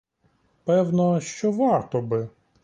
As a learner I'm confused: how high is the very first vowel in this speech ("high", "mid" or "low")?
mid